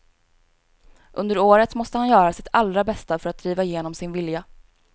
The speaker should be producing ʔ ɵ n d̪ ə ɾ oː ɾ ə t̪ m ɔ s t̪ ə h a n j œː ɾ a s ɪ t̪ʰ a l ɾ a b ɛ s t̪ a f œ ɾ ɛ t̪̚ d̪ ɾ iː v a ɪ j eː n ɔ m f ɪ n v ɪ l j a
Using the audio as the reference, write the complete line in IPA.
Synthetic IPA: ʔ ɵ n d̪ ə ɾ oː ɾ ə t̪ m ɔ s t̪ ə h a n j œː ɾ a s ɪ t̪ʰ a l ɾ a b ɛ s t̪ a f œ ɾ a t̪̚ d̪ ɾ iː v a ɪ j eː n ɔ m s ɪ n v ɪ l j a

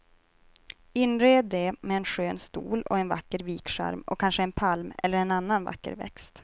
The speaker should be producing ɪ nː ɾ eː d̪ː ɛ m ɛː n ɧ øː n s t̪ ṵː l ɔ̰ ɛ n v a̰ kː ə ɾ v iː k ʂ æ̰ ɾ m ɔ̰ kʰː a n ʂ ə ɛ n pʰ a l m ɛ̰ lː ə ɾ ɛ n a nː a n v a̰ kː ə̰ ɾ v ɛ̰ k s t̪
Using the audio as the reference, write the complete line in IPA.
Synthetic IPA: ɪ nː ɾ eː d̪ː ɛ m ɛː n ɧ øː n s t̪ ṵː l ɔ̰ ɛ n v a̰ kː ə ɾ v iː k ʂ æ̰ ɾ m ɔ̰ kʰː a n ʂ ə ɛ n pʰ a l m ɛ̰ lː ə ɾ ɛ n a nː a n v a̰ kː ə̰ ɾ v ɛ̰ k s t̪

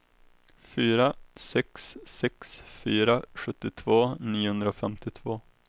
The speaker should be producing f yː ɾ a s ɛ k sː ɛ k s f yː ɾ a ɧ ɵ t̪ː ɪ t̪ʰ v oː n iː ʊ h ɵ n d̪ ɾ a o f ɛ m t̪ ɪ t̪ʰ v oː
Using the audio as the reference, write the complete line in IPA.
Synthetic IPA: f yː ɾ a s ɛ k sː ɛ k s f yː ɾ a ɧ ɵ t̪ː ɪ t̪ʰ v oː n iː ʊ h ɵ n d̪ ɾ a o f ɛ m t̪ ɪ t̪ʰ v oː

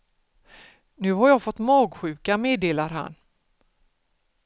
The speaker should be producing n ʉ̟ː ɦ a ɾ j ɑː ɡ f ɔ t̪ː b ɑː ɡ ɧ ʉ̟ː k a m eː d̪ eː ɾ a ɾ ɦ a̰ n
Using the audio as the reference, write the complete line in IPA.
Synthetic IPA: n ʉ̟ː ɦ a ɾ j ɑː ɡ f ɔ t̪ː m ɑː ɡ ɧ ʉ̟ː k a m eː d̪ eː l a ɾ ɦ a̰ n

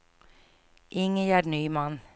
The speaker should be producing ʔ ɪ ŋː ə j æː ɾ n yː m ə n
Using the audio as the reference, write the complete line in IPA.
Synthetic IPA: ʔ ɪ ŋ ə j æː ɾ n yː m ɑ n

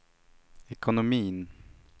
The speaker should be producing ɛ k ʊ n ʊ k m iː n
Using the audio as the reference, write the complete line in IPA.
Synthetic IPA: ɛ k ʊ n ʊ m iː n

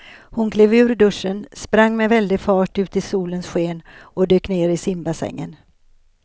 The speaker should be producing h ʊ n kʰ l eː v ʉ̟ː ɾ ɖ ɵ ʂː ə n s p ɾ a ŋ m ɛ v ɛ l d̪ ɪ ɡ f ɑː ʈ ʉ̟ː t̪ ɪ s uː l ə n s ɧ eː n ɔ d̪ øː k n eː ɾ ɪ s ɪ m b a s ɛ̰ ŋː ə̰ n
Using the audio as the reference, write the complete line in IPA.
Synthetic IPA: h ʊ n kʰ l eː v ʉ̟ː ɾ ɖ ɵ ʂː ə n s p ɾ a ŋː m ɛ v ɛ l d̪ ɪ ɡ f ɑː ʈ ʉ̟ː t̪ ɪ s uː l ə n s ɧ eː n ɔ d̪ øː k n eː ɾ ɪ s ɪ m b a s ɛ̰ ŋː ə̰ n

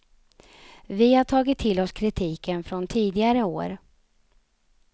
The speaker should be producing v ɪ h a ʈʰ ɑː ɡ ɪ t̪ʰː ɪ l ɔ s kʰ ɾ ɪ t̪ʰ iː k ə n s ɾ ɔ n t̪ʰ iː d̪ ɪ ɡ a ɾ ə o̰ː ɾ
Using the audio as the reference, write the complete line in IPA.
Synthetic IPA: v ɪ h a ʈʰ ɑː ɡ ɪ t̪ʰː ɪ l ɔ s kʰ ɾ ɪ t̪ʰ iː k ə n f ɾ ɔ n t̪ʰ iː d̪ ɪ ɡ a ɾ ə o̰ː ɾ

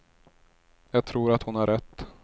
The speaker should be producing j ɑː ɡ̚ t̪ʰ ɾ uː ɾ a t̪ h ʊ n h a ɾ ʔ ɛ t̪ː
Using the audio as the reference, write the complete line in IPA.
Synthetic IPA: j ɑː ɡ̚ t̪ʰ ɾ uː ɾ a t̪ h ʊ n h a ɾ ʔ ɛ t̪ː

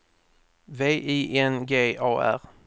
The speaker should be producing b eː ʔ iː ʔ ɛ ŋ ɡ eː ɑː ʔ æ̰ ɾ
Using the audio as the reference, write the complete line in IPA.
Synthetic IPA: v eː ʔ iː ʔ ɛ n ɡ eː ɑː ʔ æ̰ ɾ

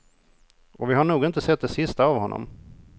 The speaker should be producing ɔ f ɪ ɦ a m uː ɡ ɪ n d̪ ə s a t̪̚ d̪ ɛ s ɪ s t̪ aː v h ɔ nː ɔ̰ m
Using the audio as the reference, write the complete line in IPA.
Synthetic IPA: ɔ v ɪ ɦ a ɳ uː ɡ ɪ n t̪ ə s ɛ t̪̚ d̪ ɛ s ɪ s t̪ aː v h ɔ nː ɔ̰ m

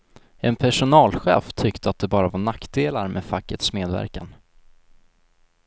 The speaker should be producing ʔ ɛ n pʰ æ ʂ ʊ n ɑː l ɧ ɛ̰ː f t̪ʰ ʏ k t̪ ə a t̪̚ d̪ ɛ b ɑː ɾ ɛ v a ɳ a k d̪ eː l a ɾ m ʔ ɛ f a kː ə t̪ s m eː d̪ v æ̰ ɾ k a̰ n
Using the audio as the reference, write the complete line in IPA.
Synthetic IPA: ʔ ɛ n pʰ æ ʂ ʊ n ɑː l ɧ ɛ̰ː f t̪ʰ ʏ k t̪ ə a t̪̚ d̪ ɛ b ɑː ɾ a v a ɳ a k d̪ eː l a ɾ m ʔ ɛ f a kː ə t̪ s m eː d̪ v æ̰ ɾ k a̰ n

